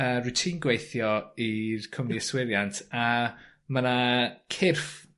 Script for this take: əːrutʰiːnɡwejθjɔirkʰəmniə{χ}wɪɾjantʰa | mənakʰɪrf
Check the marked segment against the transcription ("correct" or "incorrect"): incorrect